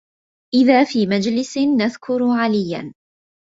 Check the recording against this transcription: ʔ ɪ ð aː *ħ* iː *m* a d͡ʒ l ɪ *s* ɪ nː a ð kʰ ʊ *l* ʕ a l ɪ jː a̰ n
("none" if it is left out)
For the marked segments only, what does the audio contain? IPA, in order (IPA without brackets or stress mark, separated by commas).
f, m, s, ɾ